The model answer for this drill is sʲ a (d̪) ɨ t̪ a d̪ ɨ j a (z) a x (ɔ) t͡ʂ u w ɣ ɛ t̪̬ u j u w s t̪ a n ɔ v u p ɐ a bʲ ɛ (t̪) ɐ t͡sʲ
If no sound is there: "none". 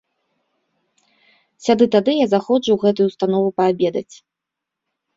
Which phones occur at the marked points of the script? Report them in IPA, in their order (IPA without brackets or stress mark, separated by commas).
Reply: d̪, z, ɔ, d̪